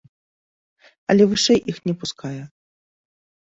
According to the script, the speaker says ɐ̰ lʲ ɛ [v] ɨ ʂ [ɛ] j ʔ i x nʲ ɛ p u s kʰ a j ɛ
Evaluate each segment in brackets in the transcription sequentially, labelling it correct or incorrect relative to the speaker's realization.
correct, correct

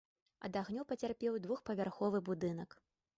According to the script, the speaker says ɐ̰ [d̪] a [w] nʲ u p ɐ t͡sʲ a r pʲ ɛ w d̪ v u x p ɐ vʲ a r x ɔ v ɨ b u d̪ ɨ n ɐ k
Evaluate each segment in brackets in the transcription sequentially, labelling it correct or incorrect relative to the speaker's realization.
correct, incorrect: ɣ

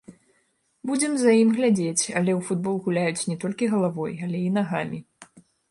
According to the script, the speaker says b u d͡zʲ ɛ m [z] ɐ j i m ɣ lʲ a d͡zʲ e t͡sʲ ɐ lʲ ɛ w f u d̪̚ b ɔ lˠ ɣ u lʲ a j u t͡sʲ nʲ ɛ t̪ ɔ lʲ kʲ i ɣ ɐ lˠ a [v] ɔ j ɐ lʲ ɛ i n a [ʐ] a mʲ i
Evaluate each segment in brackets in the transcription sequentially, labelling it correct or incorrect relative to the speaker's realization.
correct, correct, incorrect: ɣ

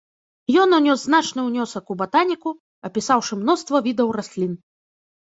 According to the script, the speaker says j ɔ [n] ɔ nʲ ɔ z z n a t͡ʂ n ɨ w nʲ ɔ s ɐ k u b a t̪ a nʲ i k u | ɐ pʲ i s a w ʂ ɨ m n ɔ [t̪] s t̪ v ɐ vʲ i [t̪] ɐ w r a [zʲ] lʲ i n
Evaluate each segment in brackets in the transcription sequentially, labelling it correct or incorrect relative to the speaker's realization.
correct, incorrect: none, incorrect: d̪, incorrect: sʲ

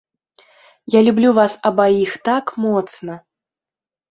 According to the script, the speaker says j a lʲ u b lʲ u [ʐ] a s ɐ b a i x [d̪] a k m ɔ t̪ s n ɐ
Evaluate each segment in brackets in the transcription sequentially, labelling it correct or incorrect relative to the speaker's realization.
incorrect: v, incorrect: t̪

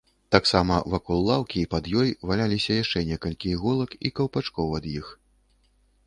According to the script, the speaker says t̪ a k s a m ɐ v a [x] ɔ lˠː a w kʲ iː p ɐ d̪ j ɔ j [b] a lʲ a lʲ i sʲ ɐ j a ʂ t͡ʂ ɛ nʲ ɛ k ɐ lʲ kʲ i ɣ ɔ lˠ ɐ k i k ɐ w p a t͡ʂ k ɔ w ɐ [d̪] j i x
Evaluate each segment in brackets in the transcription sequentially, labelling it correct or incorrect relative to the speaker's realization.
incorrect: k, incorrect: v, correct

